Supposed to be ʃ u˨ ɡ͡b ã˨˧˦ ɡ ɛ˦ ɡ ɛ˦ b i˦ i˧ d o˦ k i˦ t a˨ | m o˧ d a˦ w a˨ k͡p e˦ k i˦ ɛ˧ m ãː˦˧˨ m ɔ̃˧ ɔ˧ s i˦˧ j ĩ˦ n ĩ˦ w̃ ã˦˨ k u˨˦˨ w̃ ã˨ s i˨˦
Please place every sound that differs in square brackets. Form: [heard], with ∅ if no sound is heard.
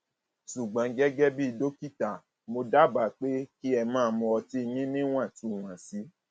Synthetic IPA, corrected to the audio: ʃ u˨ ɡ͡b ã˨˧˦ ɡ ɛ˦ ɡ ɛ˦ b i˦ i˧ d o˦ k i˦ t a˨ | m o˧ d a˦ [b] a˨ k͡p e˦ k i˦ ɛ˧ m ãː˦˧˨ m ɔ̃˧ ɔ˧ [t] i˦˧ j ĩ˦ n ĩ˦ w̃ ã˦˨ [t] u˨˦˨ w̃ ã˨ s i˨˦